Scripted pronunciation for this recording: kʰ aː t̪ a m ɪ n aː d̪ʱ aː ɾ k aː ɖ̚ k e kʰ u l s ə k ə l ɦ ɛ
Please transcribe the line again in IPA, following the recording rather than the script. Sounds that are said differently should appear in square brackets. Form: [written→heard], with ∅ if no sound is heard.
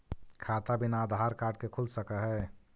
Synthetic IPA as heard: kʰ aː t̪ a [m→b] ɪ n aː d̪ʱ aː ɾ k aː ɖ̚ k e kʰ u l s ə k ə [l→∅] ɦ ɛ